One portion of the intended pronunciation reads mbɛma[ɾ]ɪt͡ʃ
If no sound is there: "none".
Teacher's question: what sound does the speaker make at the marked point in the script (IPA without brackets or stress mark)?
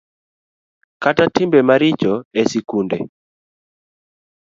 ɾ